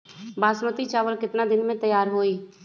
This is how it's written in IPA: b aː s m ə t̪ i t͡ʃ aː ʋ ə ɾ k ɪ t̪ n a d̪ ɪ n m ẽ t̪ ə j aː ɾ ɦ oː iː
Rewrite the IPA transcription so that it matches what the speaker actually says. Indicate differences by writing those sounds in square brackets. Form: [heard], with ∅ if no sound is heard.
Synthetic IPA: b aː s m ə t̪ i t͡ʃ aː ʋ ə [l] k ɪ t̪ n a d̪ ɪ n m ẽ t̪ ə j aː ɾ ɦ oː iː